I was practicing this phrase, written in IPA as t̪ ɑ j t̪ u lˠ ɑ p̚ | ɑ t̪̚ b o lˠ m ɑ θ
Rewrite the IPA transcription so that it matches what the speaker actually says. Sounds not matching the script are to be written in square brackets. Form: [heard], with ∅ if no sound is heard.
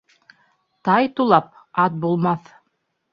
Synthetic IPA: t̪ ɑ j t̪ u lˠ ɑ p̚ | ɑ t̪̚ b [u] lˠ m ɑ θ